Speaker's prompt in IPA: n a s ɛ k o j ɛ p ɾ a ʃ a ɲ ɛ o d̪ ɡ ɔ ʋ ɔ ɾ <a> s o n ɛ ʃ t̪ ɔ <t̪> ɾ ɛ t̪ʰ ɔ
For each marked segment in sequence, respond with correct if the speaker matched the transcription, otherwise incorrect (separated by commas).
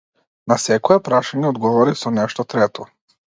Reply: incorrect, correct